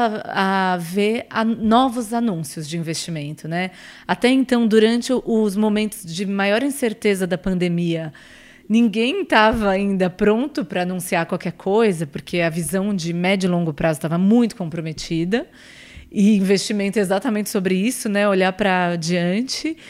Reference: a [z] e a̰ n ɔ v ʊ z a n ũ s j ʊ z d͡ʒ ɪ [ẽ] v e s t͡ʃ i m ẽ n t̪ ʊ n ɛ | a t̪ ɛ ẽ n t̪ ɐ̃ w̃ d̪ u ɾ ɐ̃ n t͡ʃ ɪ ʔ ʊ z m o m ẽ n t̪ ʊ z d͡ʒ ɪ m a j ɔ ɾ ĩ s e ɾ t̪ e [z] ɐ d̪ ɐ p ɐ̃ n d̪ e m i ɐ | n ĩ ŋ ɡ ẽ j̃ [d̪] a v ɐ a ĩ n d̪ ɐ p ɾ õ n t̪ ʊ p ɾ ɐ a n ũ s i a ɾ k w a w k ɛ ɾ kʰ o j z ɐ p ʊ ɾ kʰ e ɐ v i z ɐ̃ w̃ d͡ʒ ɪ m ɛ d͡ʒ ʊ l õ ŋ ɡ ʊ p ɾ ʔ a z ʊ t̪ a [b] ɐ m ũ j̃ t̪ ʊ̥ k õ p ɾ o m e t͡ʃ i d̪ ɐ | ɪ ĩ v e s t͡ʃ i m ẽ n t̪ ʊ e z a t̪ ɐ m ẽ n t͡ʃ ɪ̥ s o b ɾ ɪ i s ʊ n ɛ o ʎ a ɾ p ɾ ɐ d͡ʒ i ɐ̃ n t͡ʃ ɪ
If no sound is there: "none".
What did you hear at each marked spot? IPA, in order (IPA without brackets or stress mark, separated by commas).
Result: v, ĩ, z, t̪, v